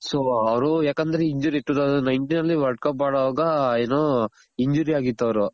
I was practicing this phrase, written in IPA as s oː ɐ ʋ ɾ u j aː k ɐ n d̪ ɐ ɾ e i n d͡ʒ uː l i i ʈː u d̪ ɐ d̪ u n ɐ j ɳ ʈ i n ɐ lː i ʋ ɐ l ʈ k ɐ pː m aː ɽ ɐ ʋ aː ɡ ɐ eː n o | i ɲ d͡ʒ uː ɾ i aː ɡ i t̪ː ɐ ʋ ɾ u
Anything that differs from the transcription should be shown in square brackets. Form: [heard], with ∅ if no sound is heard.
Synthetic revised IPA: s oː ɐ ʋ ɾ u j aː k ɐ n d̪ ɐ ɾ e i [ɲ] d͡ʒ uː [ɾ] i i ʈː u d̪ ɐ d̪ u n ɐ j ɳ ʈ i n ɐ lː i ʋ ɐ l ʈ k ɐ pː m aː ɽ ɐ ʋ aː ɡ ɐ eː n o | i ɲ d͡ʒ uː ɾ i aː ɡ i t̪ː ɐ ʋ ɾ u